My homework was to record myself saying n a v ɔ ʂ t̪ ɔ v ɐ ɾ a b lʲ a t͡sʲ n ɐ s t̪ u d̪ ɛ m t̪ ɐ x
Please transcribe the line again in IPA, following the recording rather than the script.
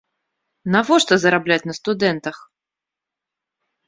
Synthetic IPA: n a v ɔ ʂ t̪ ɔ z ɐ ɾ a b lʲ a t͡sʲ n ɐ s t̪ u d̪ ɛ n t̪ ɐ x